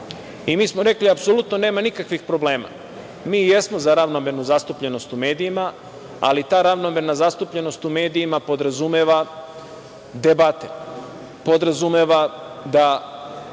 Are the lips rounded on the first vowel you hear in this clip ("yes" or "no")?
no